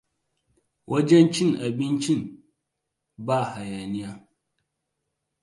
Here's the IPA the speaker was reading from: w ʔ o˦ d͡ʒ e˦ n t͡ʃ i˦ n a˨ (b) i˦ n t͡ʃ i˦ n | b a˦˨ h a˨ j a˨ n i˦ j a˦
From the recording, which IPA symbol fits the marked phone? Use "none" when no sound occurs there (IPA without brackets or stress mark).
b